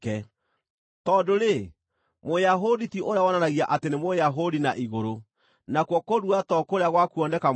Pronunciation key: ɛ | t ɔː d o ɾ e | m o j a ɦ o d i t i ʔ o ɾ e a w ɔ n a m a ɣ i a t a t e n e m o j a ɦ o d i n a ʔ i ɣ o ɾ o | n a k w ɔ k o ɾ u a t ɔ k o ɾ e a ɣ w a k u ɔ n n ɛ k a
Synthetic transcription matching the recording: ɛ | t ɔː d o ɾ e | m o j a ɦ o d i t i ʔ o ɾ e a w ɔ n a n a ɣ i a ʔ a t e n e m o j a ɦ o d i n a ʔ i ɣ o ɾ o | n a k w ɔ k o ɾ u a t ɔ k o ɾ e a ɣ w a k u ɔ n d ɛ k a